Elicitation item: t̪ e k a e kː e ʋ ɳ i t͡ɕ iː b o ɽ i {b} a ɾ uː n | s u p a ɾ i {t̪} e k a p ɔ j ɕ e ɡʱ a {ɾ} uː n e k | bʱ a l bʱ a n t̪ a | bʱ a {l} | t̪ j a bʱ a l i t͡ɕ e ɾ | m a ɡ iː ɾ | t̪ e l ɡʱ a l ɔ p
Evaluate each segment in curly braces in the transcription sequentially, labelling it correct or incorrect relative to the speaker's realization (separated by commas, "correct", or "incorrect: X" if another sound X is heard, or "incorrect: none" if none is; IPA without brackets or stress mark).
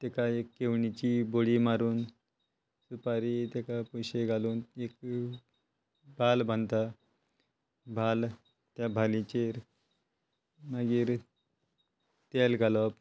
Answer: incorrect: m, correct, incorrect: l, correct